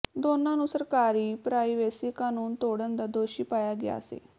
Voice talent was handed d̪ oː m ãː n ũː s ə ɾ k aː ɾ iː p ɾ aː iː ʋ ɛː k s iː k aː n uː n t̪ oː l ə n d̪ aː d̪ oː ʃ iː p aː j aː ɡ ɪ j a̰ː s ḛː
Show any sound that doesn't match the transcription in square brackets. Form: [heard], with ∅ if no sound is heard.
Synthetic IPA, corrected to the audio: d̪ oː [n] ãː n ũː s ə ɾ k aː ɾ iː p ɾ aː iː ʋ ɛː [∅] s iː k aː n uː n t̪ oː [ɽ] ə n d̪ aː d̪ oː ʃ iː p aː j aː ɡ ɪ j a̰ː s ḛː